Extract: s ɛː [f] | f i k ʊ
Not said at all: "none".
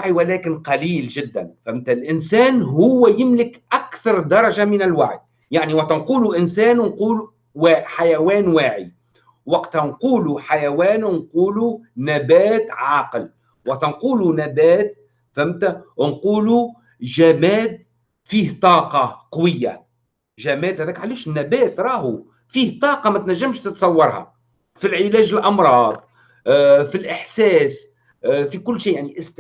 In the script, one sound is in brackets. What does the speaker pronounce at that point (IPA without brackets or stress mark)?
s